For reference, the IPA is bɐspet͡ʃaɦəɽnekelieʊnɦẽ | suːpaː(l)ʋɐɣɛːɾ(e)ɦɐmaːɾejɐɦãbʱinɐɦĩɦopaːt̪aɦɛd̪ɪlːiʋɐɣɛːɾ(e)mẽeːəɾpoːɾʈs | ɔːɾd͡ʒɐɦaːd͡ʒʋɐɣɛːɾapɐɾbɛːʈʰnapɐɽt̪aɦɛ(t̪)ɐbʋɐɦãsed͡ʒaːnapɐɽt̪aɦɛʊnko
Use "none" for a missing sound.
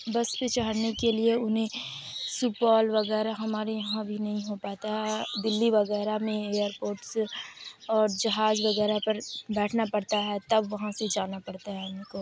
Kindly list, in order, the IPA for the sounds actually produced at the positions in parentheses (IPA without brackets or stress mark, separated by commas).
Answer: l, a, a, t̪